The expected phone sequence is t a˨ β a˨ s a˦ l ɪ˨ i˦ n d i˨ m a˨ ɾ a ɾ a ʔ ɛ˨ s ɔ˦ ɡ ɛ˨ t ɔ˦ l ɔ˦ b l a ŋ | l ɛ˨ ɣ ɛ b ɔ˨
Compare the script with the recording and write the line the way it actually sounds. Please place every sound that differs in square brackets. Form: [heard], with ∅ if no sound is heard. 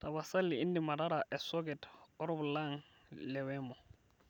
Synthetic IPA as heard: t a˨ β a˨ s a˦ l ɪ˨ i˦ n d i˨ m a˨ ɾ a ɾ a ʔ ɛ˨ s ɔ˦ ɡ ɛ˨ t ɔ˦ [ɾ] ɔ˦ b l a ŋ | l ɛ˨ [w] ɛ [m] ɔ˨

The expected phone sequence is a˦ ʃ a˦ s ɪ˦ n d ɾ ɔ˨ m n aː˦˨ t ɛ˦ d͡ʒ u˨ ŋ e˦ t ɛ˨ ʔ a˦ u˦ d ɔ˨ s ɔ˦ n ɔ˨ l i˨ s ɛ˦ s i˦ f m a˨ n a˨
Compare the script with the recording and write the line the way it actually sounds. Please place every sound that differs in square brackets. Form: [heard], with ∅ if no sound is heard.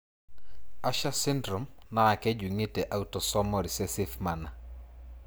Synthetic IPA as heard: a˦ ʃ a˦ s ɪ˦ n d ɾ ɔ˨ m n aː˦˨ [k] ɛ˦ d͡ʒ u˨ ŋ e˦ t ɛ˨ ʔ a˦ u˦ [t] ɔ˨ s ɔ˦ [m] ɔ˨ [ɾ] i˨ s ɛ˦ s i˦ f m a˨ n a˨

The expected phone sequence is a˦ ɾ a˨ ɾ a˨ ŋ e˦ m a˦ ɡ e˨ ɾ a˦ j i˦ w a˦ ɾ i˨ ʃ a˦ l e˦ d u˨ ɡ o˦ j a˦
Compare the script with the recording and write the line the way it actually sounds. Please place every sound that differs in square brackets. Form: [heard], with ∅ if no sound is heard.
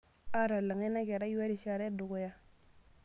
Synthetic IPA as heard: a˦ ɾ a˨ [l] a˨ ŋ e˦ [n] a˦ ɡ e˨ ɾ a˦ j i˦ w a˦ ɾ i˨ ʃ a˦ [ɾ] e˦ d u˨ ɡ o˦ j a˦

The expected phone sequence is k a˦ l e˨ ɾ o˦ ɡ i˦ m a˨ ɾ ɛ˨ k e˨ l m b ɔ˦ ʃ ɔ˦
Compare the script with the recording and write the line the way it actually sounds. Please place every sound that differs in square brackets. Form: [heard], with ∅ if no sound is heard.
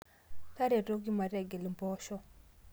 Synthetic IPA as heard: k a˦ [ɾ] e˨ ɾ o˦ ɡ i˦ m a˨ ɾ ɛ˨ [ɡ] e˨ l m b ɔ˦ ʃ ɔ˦

